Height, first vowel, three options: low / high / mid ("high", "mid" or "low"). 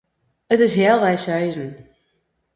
mid